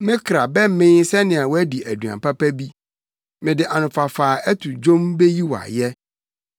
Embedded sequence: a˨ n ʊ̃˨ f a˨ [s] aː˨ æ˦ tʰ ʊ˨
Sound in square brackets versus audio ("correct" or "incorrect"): incorrect